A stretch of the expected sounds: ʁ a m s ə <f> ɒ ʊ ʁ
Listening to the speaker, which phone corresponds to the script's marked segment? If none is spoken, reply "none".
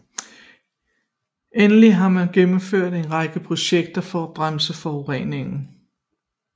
f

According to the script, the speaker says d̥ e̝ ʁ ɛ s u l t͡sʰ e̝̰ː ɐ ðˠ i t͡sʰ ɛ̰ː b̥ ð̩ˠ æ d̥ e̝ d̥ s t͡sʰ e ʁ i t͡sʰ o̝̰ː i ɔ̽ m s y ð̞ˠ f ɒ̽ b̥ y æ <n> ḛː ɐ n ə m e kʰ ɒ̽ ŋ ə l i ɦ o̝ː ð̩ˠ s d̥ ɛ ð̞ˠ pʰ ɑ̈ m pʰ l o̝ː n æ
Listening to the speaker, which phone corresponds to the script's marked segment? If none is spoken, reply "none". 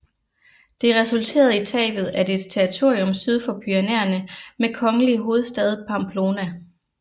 n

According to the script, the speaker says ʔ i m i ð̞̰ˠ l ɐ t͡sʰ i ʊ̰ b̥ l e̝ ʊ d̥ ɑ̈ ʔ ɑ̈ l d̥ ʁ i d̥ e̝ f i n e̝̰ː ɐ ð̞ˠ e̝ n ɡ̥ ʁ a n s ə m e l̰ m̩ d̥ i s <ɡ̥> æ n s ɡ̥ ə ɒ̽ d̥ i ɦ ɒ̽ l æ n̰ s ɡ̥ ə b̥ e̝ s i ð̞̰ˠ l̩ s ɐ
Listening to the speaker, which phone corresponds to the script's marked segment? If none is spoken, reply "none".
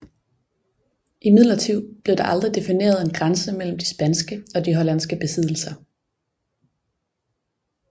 b̥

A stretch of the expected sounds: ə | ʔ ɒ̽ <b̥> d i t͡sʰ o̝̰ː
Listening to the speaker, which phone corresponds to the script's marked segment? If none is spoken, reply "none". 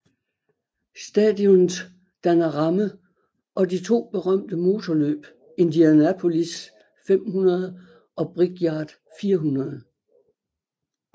none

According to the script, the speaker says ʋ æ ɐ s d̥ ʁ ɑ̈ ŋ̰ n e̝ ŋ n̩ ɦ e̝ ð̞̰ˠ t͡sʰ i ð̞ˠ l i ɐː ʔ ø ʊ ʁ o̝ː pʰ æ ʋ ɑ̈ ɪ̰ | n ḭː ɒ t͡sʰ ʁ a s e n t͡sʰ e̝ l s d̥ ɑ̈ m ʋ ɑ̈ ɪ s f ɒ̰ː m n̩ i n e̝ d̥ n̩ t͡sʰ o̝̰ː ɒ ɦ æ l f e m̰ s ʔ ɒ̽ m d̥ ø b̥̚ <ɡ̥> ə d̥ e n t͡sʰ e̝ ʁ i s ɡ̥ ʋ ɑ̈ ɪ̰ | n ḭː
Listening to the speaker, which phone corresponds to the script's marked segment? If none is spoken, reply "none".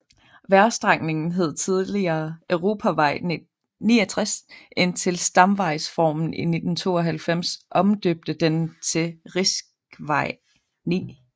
d̥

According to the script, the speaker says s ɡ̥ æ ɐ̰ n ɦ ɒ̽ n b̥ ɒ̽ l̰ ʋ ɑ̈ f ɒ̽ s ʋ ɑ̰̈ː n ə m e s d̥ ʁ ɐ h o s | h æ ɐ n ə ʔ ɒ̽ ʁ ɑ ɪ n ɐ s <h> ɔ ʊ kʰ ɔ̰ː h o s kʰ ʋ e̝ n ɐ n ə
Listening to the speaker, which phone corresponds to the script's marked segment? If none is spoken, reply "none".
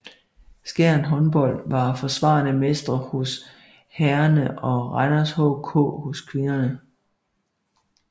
h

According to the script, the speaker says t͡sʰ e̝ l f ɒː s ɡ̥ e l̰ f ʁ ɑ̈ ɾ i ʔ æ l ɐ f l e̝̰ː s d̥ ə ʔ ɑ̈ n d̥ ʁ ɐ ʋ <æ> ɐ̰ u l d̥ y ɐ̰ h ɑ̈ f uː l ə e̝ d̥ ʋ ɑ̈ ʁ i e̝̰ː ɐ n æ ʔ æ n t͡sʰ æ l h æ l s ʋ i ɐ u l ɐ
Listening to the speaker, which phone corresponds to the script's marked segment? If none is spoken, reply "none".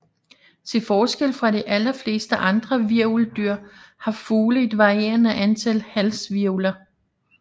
i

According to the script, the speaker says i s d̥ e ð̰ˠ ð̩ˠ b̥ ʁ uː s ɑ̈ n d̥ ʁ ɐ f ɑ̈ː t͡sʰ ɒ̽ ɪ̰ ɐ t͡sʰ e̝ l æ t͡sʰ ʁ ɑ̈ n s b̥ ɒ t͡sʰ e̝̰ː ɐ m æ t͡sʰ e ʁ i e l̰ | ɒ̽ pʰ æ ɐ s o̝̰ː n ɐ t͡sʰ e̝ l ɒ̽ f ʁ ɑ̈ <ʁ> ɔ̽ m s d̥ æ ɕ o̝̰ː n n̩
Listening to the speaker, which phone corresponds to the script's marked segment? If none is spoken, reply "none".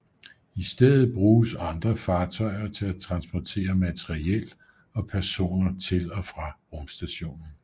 ʁ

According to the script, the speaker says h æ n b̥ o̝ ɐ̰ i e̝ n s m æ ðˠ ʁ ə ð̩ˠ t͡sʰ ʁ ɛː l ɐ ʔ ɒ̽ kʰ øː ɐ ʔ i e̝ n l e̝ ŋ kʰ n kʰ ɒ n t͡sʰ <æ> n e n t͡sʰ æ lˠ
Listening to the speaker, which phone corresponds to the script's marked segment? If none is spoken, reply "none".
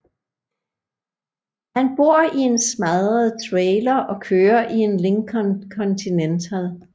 i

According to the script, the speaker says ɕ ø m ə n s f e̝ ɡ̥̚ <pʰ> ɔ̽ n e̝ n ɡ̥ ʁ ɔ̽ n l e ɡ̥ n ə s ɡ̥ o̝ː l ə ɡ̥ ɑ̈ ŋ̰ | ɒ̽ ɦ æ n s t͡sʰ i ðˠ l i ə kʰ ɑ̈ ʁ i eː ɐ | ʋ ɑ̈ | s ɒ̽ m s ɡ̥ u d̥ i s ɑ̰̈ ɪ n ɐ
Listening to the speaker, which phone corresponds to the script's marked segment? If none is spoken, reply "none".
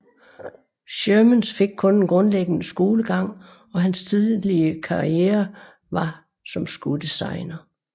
kʰ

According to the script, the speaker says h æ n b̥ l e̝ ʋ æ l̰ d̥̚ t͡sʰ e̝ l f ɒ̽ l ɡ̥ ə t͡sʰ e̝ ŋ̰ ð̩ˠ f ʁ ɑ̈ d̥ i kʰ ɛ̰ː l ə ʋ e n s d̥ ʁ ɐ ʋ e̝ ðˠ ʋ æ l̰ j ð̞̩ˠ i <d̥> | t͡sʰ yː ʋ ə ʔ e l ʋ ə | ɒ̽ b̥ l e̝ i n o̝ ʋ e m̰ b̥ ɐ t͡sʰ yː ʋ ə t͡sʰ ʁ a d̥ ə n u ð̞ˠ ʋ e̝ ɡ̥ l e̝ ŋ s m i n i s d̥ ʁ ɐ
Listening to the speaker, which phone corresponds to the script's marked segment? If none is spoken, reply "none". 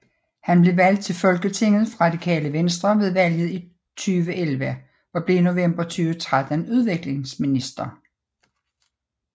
none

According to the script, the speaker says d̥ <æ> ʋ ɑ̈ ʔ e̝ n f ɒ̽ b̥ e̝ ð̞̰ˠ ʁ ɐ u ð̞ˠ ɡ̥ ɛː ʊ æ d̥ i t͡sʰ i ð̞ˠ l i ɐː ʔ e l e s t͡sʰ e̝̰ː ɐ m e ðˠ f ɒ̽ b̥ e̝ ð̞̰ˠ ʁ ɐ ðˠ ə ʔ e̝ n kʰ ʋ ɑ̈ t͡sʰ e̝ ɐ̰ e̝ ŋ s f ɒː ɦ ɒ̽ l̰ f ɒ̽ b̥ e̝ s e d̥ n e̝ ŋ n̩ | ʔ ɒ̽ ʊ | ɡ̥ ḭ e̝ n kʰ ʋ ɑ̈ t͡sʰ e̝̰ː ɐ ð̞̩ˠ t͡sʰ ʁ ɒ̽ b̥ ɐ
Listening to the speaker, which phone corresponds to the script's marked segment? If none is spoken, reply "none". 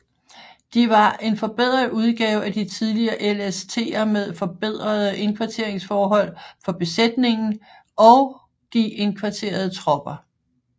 i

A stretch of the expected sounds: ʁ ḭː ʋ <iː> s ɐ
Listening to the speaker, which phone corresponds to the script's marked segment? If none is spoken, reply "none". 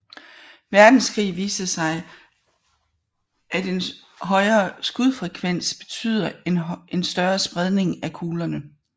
iː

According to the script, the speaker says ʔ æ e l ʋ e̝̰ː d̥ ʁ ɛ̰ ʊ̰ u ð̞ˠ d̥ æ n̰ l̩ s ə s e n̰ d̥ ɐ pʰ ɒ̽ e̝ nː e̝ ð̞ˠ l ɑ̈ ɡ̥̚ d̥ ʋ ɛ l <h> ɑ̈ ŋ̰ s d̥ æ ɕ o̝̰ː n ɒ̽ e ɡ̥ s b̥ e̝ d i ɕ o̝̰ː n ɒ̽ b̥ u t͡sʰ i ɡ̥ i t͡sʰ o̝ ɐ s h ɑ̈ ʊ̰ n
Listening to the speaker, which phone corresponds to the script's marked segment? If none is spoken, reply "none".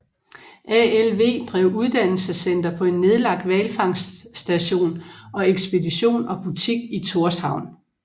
f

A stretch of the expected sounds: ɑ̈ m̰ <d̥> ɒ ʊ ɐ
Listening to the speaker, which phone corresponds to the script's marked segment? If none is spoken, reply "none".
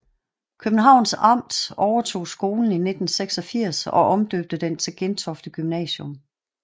d̥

